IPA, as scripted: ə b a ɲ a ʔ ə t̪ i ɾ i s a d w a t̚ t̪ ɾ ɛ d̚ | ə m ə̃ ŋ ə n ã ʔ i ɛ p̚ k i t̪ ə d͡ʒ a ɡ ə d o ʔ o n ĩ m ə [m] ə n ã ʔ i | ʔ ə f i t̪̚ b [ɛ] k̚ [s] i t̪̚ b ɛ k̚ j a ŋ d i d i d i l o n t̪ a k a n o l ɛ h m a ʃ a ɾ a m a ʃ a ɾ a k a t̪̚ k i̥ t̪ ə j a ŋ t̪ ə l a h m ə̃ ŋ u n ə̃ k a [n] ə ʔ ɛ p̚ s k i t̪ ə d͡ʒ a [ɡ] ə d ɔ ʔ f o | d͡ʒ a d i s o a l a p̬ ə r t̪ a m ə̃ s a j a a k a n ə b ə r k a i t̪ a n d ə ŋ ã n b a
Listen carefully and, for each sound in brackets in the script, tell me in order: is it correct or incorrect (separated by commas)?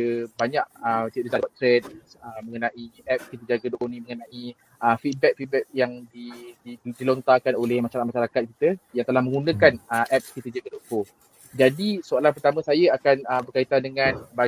incorrect, correct, incorrect, correct, correct